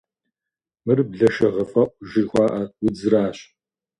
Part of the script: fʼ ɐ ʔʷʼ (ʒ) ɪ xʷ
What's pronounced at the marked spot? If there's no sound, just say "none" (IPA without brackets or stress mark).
ʒ